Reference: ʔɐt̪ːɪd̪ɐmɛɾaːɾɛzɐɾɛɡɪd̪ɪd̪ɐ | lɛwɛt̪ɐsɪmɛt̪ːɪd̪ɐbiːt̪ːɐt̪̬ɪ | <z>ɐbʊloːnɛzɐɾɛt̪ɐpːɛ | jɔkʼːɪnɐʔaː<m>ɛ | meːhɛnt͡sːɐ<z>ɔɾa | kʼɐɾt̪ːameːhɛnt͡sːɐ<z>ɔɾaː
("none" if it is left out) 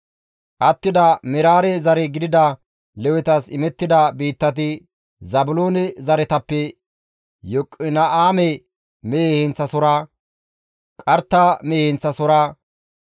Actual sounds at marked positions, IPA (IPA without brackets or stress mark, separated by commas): z, m, s, s